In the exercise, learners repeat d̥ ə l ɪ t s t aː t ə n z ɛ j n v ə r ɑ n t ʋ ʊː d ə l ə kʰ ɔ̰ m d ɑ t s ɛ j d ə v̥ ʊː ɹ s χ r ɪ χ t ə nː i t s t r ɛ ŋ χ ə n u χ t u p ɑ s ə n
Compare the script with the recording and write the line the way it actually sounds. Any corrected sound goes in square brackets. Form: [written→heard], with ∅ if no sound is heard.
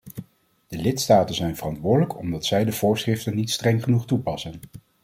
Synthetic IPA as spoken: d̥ ə l ɪ t s t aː t ə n z ɛ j n v ə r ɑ n t ʋ ʊː d ə l ə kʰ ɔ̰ m d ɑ t s ɛ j d ə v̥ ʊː ɹ s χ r ɪ [χ→f] t ə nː i t s t r ɛ ŋ χ ə n u χ t u p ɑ s ə n